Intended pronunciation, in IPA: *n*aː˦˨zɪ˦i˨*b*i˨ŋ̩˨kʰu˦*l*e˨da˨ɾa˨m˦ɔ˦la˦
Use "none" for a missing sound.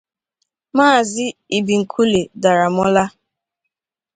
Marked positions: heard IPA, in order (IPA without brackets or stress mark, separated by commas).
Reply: m, b, l